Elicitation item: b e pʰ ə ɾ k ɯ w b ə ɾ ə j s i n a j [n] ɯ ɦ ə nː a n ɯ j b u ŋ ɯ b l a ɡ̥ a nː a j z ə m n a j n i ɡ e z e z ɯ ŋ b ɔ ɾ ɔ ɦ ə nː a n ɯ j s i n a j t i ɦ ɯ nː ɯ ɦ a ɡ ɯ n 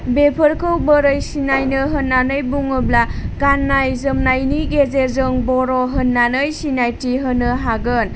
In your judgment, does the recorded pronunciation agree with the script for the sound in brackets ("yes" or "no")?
yes